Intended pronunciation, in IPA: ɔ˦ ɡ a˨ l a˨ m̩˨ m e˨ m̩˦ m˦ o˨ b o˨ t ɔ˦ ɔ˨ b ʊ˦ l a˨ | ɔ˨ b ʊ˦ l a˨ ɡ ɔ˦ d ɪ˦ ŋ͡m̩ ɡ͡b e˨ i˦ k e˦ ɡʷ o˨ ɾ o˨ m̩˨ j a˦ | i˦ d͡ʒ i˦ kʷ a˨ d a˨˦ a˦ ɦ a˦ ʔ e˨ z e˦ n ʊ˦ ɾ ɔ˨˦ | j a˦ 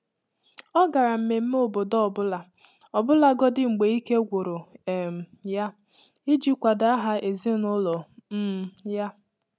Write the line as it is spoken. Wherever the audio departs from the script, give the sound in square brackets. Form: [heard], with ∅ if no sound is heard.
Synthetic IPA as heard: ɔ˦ ɡ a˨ [ɾ] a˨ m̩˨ m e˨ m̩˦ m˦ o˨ b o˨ [d] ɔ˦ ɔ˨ b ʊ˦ l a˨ | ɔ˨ b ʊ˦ l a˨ ɡ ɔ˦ d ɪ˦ ŋ͡m̩ ɡ͡b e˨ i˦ k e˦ ɡʷ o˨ ɾ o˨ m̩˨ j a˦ | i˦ d͡ʒ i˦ kʷ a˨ d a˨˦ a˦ ɦ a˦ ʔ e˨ z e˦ n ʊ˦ [l] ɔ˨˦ | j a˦